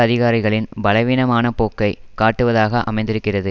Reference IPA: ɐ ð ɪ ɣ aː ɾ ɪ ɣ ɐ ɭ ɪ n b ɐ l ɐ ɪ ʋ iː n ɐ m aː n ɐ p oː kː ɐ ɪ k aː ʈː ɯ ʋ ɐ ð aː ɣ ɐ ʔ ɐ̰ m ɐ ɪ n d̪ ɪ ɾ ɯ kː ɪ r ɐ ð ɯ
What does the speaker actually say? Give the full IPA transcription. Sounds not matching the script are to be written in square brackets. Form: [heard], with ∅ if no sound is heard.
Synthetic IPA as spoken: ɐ ð ɪ ɣ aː ɾ ɪ ɣ ɐ ɭ ɪ n b ɐ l ɐ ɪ ʋ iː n ɐ m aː n ɐ p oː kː ɐ ɪ k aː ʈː ɯ ʋ ɐ ð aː ɣ ɐ ʔ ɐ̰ m ɐ ɪ n d̪ ɪ ɾ ɯ kː ɪ r ɐ ð ɯ

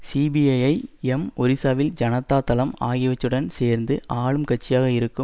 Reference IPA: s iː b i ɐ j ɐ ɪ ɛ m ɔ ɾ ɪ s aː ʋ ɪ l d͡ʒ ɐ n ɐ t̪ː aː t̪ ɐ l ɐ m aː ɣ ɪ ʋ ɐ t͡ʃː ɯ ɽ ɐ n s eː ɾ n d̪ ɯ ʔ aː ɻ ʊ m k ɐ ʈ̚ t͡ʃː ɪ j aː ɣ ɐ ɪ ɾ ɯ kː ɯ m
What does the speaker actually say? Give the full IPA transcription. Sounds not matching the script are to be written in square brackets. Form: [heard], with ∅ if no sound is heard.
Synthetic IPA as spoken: s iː b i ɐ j ɐ ɪ ɛ m ɔ ɾ ɪ s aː ʋ ɪ l d͡ʒ ɐ n ɐ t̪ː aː t̪ ɐ l ɐ m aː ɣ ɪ ʋ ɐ t͡ʃː ɯ ɽ ɐ n s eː ɾ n d̪ ɯ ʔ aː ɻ [ɯ] m k ɐ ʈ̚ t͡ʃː ɪ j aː ɣ ɐ ɪ ɾ ɯ kː ɯ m

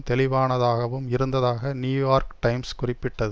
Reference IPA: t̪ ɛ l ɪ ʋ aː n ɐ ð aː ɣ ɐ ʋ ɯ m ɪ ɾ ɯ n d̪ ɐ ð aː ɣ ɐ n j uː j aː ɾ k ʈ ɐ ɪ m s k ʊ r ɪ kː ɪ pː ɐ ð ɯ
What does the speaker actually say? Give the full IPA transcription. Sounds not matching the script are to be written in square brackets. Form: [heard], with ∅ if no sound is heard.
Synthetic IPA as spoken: t̪ ɛ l ɪ ʋ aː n ɐ ð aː ɣ ɐ ʋ ɯ m ɪ ɾ ɯ n d̪ ɐ ð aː ɣ ɐ n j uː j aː ɾ k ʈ ɐ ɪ m s k ʊ r ɪ [pː] ɪ [ʈː] ɐ ð ɯ

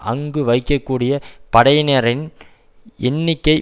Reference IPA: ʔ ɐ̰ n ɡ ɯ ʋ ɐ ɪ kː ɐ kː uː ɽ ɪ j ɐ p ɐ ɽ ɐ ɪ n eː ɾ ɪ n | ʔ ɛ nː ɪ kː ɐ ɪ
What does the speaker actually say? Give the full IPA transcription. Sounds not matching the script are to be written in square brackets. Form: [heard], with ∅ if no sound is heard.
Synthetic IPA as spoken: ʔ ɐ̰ [ŋ] ɡ ɯ ʋ ɐ ɪ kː ɐ kː uː ɽ ɪ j ɐ p ɐ ɽ ɐ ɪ n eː ɾ ɪ n | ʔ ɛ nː ɪ kː ɐ ɪ

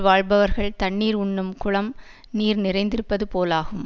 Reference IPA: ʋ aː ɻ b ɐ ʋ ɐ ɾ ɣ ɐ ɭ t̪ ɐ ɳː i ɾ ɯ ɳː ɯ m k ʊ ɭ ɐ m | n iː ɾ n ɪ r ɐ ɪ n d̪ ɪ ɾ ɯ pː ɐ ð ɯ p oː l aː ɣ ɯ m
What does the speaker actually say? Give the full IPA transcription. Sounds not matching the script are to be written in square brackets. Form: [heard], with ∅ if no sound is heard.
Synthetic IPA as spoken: ʋ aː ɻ b ɐ ʋ ɐ ɾ ɣ ɐ ɭ t̪ ɐ ɳː [iː] ɾ [ʊ] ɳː ɯ m k ʊ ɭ ɐ m | n iː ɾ n ɪ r ɐ ɪ n d̪ ɪ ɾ ɯ pː ɐ ð ɯ p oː l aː ɣ ɯ m

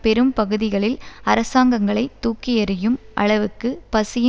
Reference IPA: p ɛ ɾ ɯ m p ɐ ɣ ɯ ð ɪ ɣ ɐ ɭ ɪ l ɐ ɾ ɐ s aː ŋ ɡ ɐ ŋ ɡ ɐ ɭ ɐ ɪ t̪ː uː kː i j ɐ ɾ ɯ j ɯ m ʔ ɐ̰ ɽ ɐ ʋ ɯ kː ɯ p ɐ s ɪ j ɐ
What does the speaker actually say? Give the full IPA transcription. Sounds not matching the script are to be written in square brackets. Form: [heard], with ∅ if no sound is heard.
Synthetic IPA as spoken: p ɛ ɾ ɯ m p ɐ ɣ ɯ ð ɪ ɣ ɐ ɭ ɪ l ɐ ɾ ɐ s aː ŋ ɡ ɐ ŋ ɡ ɐ ɭ ɐ ɪ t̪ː uː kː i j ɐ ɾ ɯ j ɯ m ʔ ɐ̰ [ɭ] ɐ ʋ ɯ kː ɯ p ɐ s ɪ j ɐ

